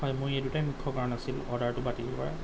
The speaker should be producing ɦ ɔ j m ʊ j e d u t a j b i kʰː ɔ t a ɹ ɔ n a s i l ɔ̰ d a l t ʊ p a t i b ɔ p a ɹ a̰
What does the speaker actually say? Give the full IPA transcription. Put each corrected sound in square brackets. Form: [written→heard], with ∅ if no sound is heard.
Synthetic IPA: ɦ ɔ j m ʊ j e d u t a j [b→m] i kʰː ɔ [t→k] a ɹ ɔ n a s i l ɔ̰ d a [l→ɹ] t ʊ [p→b] a t i b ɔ p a ɹ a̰